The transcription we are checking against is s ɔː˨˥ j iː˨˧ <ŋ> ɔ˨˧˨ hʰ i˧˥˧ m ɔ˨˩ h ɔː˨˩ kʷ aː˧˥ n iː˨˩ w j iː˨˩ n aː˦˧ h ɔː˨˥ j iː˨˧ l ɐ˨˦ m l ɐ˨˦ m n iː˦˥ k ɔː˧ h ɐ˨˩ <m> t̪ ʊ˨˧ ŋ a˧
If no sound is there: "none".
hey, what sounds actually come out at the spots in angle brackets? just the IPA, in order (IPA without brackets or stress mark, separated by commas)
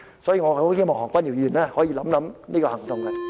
ŋ, ŋ